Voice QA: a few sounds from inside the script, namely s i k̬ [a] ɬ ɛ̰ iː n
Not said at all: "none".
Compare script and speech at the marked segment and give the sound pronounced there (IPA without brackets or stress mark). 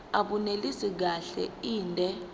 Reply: a